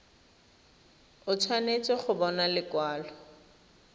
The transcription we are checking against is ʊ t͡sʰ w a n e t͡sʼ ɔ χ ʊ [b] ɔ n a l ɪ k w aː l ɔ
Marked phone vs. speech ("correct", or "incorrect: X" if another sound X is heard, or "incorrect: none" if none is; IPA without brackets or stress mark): correct